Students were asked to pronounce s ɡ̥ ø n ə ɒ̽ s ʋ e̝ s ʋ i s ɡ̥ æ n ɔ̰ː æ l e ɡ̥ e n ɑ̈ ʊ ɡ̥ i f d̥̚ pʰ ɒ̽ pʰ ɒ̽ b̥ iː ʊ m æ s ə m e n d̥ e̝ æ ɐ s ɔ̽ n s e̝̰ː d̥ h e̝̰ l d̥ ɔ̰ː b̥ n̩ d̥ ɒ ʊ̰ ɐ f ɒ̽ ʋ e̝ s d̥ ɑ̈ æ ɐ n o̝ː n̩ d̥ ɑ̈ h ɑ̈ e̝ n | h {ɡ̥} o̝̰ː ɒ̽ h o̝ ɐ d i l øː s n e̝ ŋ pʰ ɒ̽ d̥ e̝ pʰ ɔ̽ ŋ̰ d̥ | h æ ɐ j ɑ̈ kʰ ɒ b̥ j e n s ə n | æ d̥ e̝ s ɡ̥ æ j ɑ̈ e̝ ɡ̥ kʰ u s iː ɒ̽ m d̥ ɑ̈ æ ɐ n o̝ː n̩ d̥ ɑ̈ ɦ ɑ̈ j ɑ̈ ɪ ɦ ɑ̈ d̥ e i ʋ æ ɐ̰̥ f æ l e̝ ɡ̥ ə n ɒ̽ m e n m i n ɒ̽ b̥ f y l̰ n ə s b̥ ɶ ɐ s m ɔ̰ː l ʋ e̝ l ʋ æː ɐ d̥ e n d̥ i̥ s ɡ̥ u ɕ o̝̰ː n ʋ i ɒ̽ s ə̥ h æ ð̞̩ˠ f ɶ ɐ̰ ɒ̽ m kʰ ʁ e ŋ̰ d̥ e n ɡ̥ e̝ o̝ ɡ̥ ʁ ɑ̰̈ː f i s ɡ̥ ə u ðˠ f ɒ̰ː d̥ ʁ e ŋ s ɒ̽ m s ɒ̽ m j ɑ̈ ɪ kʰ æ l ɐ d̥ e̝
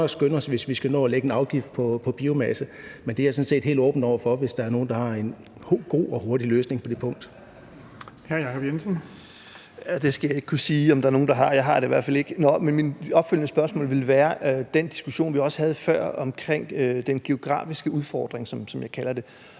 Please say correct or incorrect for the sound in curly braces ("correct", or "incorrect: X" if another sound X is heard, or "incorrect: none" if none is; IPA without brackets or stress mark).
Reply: correct